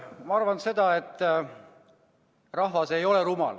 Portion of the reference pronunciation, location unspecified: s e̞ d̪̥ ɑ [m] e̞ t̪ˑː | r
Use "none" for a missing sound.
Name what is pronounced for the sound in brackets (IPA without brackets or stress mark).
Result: none